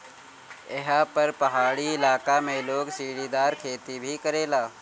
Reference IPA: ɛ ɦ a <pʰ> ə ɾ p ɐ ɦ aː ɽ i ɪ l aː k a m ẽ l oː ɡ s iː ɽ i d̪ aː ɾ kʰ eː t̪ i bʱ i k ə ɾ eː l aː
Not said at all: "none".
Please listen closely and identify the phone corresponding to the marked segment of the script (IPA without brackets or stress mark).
p